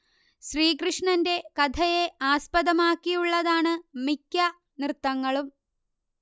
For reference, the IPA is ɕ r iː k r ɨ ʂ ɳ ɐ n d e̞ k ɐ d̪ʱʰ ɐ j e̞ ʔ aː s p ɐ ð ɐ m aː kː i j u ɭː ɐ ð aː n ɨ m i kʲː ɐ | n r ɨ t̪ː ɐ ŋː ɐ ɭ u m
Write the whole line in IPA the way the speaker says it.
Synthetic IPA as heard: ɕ r iː k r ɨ ʂ ɳ ɐ n d e̞ k ɐ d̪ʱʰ ɐ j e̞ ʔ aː s p ɐ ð ɐ m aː kː i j u ɭː ɐ ð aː ɳ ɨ m i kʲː ɐ | n r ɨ t̪ː ɐ ŋː ɐ ɭ u m